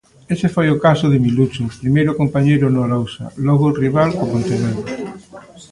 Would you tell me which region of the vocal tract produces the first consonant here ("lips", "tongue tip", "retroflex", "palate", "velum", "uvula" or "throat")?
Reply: tongue tip